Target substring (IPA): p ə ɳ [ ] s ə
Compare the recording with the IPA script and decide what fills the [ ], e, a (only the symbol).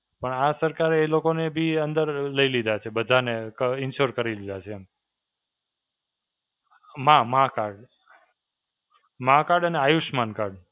a